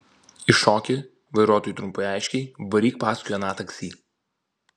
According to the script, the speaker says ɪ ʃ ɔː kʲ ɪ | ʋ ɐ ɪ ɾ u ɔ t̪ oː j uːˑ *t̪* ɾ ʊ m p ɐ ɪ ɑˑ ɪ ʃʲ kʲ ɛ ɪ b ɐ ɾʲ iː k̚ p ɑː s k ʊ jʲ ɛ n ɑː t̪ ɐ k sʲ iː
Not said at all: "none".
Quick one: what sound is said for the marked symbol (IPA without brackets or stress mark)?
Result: t̪